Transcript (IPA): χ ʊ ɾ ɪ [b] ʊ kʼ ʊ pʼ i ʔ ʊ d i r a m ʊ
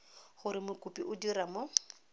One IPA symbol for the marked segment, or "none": m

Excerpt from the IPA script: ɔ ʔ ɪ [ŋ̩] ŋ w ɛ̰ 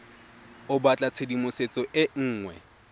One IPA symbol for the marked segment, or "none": ŋ̩ː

